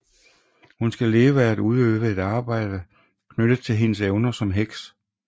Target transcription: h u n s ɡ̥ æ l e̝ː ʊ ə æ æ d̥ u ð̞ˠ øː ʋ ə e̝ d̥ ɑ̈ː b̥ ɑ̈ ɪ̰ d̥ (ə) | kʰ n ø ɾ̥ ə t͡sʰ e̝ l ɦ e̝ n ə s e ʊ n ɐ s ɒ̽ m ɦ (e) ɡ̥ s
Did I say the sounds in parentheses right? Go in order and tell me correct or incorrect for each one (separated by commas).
correct, correct